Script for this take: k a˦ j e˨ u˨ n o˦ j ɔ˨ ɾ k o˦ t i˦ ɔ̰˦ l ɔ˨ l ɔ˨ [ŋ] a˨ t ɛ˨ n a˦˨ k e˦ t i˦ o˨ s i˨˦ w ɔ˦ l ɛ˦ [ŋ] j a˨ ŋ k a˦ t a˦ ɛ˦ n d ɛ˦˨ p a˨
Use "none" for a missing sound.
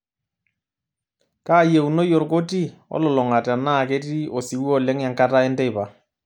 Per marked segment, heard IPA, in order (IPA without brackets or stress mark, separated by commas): ŋ, ŋ